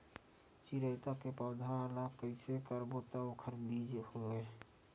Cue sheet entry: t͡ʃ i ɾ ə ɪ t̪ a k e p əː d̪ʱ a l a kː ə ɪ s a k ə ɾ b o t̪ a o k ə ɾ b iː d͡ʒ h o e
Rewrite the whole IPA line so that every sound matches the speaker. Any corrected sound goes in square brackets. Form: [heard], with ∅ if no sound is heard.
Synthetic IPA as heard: t͡ʃ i ɾ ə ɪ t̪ a k e p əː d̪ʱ a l a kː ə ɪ s [e] k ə ɾ b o t̪ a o [kʰ] ə ɾ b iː d͡ʒ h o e